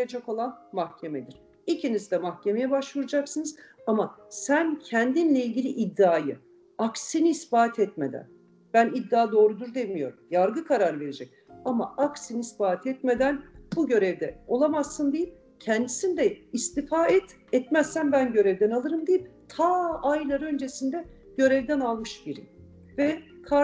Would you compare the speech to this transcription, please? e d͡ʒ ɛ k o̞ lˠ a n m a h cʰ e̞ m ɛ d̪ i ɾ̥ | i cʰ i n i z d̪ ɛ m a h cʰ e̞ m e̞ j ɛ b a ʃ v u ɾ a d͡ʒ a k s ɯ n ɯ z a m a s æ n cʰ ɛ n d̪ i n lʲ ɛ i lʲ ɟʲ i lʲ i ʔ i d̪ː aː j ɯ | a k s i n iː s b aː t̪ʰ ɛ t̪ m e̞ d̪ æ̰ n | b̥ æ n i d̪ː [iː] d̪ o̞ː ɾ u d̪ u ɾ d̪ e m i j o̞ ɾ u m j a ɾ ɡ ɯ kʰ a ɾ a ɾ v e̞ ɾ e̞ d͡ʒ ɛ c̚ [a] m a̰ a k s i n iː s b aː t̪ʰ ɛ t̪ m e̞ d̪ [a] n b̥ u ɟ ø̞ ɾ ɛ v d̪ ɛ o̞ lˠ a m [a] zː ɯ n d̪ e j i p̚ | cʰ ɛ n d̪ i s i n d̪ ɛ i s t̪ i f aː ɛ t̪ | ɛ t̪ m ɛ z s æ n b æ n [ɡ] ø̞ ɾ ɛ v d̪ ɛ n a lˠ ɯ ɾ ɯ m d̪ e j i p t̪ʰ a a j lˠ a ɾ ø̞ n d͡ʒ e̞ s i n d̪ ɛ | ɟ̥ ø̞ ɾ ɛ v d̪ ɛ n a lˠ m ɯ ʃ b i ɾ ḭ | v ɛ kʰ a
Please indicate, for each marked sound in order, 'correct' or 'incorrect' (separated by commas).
incorrect, correct, incorrect, correct, incorrect